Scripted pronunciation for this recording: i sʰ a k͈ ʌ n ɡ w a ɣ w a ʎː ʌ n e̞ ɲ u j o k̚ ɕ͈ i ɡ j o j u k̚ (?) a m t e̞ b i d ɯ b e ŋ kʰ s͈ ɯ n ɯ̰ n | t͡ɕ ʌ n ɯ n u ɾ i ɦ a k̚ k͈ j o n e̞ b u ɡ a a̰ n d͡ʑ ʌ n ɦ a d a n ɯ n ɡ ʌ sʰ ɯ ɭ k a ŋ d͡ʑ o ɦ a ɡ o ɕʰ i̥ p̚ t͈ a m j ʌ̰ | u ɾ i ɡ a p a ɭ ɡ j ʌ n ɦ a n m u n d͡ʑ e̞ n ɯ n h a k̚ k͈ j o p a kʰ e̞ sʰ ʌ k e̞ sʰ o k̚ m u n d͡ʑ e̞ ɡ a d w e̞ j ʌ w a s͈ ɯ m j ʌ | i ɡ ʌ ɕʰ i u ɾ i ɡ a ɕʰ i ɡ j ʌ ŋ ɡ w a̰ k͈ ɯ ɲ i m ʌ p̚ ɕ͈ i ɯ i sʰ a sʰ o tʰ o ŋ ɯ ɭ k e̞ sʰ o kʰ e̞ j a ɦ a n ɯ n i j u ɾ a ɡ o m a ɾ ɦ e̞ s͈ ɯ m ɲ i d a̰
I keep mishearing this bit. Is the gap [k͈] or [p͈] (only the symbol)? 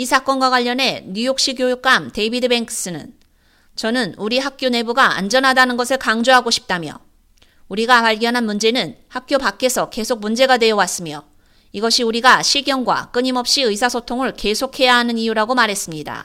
k͈